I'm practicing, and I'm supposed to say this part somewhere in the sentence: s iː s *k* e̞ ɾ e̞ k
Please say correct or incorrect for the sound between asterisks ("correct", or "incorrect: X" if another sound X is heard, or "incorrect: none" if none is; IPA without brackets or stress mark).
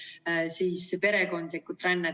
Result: incorrect: p